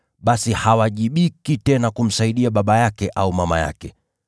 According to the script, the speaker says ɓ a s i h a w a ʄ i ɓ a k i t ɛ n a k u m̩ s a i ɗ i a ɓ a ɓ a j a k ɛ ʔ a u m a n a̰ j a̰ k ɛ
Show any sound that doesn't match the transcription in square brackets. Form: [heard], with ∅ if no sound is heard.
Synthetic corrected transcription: ɓ a s i h a w a ʄ i ɓ [i] k i t ɛ n a k u m̩ s a i ɗ i a ɓ a ɓ a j a k ɛ ʔ a u m a [m] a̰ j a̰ k ɛ

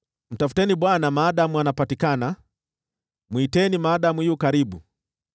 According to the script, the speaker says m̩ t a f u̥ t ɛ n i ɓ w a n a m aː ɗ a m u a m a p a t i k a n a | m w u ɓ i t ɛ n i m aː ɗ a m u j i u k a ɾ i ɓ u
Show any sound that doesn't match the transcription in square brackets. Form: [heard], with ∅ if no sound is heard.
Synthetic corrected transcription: m̩ t a f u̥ t ɛ n i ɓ w a n a m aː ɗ a m u a [n] a p a t i k a n a | m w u [∅] i t ɛ n i m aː ɗ a m u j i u k a ɾ i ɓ u

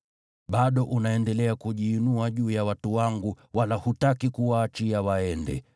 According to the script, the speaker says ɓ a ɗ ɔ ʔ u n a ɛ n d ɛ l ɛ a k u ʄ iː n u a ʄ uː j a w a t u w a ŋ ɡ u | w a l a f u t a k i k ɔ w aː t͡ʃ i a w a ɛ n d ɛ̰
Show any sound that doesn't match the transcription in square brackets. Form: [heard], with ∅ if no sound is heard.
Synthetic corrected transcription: ɓ a ɗ ɔ ʔ u n a ɛ n d ɛ l ɛ a k u ʄ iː n u a ʄ uː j a w a t u w a ŋ ɡ u | w a l a [h] u t a k i k [u] w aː t͡ʃ i a w a ɛ n d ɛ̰

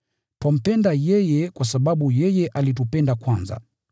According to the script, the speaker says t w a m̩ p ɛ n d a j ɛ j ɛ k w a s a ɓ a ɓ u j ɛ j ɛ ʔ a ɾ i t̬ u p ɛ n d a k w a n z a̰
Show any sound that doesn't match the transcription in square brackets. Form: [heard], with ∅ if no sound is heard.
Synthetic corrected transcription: t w a m̩ p ɛ n d a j ɛ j ɛ k w a s a ɓ a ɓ u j ɛ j ɛ ʔ a [l] i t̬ u p ɛ n d a k w a n z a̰

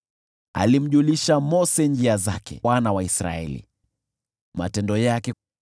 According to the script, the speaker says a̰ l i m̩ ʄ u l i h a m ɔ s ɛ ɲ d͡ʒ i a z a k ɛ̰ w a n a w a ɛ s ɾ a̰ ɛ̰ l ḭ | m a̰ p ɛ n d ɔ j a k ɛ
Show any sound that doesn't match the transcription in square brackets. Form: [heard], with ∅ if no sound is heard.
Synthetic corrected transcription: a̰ l i m̩ ʄ u l i [ʃ] a m ɔ s ɛ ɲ d͡ʒ i a z a k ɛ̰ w a n a w a [i] s ɾ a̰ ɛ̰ l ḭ | m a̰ [t] ɛ n d ɔ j a k ɛ

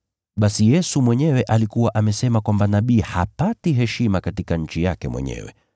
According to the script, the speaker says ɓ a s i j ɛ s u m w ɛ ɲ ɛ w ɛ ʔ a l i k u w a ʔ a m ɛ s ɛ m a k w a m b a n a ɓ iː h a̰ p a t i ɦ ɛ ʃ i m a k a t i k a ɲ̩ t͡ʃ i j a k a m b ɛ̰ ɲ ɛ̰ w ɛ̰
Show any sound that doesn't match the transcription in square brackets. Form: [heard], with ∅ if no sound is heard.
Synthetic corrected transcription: ɓ a s i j ɛ s u m w ɛ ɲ ɛ w ɛ ʔ a l i k u w a ʔ a m ɛ s ɛ m a k w a m b a n a ɓ iː h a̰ p a t i ɦ ɛ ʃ i m a k a t i k a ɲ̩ t͡ʃ i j a k [ɛ] m [w] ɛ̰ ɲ ɛ̰ w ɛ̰

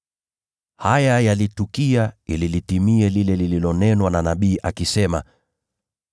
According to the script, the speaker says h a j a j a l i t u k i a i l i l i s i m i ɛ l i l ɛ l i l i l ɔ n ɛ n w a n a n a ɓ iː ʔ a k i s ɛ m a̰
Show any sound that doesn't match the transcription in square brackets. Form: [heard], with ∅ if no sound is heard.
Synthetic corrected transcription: h a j a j a l i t u k i a i l i l i [t] i m i ɛ l i l ɛ l i l i l ɔ n ɛ n w a n a n a ɓ iː ʔ a k i s ɛ m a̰

